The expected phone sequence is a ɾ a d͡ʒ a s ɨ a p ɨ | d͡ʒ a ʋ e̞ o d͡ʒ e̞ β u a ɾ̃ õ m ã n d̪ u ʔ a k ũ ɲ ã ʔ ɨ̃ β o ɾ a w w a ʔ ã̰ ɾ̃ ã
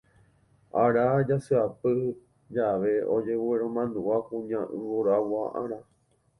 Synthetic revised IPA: a ɾ a d͡ʒ a s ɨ a p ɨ | d͡ʒ a ʋ e̞ o d͡ʒ e̞ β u e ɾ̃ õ m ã n d̪ u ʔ a k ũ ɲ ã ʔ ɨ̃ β o ɾ a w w a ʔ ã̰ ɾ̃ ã